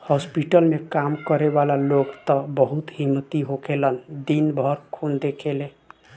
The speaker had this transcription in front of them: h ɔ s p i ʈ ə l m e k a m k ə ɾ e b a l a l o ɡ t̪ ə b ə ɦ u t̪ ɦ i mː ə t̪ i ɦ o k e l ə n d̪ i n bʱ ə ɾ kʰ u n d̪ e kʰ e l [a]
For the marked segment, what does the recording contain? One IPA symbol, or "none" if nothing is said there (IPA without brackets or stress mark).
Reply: e